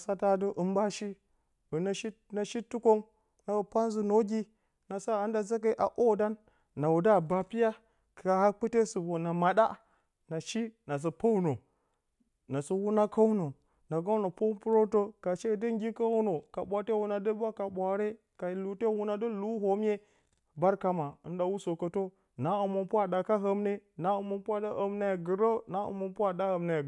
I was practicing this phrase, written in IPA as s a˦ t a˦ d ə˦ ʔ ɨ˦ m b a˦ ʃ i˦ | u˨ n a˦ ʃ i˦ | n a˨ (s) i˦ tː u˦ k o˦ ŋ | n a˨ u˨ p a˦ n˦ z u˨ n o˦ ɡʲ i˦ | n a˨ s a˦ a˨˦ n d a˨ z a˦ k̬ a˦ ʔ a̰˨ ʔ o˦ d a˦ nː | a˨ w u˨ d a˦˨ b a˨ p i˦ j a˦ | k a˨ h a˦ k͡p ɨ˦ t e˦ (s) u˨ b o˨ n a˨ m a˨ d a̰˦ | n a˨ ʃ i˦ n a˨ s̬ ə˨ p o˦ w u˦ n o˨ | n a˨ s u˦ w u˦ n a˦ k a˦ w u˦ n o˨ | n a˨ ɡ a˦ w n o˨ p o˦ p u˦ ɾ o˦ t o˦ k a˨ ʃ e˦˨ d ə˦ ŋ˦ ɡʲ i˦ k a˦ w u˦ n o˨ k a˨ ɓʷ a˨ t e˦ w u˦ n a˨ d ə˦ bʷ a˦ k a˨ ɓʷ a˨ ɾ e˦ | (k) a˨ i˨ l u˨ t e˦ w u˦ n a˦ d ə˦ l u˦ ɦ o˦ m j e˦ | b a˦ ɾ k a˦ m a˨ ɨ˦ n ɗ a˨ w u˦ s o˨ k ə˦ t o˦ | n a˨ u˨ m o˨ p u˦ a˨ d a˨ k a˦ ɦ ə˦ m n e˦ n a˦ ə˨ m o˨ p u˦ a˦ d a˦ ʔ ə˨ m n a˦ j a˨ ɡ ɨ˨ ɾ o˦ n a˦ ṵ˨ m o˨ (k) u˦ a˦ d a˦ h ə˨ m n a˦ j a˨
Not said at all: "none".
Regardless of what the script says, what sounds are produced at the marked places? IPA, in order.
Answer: ʃ, s, k, p

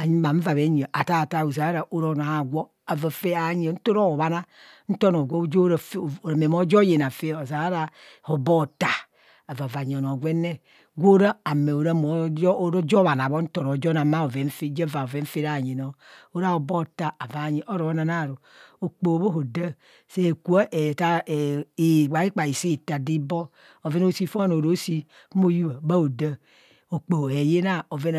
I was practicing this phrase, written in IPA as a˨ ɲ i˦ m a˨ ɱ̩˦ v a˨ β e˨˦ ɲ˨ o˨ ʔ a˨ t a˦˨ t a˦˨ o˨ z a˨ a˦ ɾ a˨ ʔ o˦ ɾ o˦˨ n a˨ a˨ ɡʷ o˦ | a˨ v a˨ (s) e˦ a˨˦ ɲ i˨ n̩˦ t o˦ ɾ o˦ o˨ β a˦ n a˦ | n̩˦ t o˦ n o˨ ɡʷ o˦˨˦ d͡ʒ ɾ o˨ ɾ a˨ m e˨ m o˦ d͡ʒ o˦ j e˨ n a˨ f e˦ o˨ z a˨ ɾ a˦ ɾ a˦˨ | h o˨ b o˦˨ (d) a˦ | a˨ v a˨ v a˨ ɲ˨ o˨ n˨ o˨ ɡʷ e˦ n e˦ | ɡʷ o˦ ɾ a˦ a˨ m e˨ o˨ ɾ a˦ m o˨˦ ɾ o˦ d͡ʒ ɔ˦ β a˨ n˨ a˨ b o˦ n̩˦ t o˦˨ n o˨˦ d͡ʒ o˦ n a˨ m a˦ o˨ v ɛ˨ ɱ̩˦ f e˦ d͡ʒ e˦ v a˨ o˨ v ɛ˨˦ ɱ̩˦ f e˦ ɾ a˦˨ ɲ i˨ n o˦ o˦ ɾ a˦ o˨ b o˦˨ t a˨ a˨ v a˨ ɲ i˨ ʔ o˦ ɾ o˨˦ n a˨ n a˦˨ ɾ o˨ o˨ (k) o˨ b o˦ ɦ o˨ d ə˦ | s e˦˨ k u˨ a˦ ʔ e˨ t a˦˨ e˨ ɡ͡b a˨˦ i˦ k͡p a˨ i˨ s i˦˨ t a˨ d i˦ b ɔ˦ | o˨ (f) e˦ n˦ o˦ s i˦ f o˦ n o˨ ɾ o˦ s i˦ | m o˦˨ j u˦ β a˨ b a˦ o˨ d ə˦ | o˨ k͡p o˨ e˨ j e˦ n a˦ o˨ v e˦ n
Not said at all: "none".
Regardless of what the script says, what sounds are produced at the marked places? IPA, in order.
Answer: f, t, k͡p, v

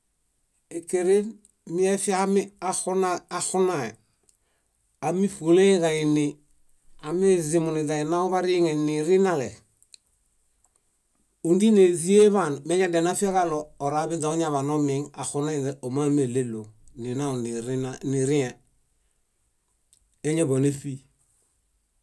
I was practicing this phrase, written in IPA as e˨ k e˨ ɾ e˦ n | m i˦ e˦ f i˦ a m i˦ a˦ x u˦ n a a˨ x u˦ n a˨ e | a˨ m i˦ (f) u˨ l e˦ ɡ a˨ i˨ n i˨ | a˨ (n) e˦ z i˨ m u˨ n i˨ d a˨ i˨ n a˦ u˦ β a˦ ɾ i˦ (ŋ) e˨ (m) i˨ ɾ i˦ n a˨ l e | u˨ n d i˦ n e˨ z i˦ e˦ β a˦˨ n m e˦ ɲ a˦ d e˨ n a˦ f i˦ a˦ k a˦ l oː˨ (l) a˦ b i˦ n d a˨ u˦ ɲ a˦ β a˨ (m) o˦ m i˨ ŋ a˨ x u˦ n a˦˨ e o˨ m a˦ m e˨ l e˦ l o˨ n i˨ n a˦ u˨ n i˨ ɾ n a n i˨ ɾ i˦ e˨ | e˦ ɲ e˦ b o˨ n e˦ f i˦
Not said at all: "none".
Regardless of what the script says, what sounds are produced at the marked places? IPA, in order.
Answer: f, m, ŋ, n, ɾ, n

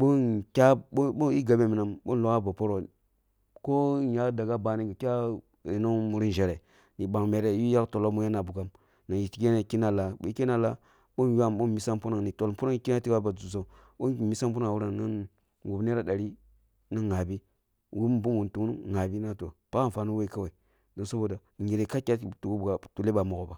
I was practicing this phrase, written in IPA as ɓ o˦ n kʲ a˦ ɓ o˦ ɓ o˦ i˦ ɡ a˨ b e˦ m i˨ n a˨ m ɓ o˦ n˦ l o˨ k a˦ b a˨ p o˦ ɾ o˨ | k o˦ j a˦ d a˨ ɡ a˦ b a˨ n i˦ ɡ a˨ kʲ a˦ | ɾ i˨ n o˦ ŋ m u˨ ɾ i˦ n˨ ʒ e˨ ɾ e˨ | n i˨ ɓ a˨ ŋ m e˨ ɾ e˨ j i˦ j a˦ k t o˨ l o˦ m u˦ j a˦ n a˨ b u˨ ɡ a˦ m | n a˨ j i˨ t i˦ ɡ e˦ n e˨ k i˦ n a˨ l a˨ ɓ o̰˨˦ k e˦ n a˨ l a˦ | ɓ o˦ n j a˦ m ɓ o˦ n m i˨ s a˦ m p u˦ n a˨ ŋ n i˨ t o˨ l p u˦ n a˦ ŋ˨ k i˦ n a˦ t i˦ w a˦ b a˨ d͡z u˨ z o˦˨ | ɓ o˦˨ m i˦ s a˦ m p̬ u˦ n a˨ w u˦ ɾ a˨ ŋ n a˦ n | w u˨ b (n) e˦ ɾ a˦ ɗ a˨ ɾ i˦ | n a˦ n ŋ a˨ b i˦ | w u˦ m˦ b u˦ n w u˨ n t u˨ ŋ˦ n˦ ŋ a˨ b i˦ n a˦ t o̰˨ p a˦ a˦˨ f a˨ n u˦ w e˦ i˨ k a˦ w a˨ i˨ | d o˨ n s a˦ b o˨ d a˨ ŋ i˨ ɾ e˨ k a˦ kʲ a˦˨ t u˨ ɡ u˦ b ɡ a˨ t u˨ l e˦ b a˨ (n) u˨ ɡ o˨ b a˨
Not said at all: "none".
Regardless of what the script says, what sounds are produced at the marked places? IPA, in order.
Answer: n, m

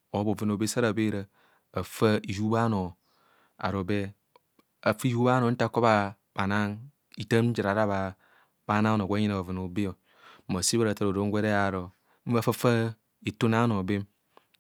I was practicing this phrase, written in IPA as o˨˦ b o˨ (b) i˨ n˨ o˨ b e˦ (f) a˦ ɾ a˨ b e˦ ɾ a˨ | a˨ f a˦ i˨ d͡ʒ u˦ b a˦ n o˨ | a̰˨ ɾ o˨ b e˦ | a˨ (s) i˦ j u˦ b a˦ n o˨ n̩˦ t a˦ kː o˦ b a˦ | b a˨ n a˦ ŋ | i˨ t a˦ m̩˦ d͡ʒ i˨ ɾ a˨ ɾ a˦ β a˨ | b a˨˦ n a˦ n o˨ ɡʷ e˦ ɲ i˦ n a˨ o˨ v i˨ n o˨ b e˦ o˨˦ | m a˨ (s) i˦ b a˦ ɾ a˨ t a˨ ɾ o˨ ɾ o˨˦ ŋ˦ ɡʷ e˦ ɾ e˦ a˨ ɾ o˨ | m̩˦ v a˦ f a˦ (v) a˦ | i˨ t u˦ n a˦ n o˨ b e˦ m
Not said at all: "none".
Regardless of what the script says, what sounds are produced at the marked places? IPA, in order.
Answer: v, s, f, s, f

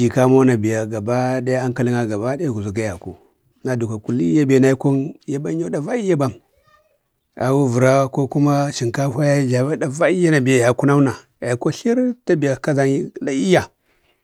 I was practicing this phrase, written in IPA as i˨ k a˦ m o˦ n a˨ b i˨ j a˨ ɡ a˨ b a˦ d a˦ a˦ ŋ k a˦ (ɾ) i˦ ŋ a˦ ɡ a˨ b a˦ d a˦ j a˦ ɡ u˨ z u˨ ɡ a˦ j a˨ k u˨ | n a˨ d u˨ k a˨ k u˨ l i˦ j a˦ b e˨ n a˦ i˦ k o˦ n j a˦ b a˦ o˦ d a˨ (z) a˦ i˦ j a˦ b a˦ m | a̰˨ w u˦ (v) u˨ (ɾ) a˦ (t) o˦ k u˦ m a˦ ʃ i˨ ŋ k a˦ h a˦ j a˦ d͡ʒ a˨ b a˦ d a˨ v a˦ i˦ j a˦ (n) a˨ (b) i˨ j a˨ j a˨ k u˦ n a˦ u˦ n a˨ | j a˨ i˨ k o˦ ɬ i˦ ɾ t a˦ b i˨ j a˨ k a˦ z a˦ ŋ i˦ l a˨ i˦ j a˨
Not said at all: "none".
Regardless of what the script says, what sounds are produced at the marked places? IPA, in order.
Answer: l, v, v, ɾ, k, n, b

